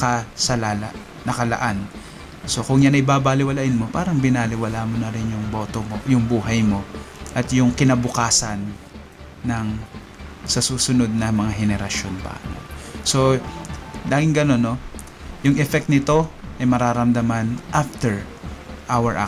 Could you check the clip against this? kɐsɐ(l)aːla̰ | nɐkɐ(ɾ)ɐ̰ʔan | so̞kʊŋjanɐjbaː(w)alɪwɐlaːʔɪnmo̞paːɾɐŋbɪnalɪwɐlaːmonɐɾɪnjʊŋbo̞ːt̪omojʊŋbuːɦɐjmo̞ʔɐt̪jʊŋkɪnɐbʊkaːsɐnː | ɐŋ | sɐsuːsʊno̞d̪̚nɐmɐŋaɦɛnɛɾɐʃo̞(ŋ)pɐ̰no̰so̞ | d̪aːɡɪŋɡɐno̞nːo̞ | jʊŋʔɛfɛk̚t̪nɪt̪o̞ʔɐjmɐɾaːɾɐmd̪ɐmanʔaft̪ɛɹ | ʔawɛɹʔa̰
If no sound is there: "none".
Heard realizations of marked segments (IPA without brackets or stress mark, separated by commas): l, l, b, n